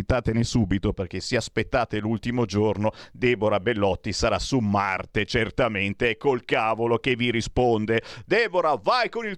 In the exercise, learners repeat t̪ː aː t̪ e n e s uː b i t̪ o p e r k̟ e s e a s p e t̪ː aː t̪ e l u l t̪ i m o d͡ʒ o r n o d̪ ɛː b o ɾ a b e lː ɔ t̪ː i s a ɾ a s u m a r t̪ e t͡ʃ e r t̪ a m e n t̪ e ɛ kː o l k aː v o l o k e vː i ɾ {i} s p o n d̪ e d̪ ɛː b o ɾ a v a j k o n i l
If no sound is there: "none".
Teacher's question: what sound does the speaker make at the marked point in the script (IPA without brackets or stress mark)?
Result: i